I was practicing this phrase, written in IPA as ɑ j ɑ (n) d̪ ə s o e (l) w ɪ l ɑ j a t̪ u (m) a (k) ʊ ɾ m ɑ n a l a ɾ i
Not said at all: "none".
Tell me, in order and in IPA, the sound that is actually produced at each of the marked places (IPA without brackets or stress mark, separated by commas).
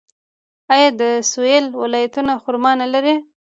none, l, n, x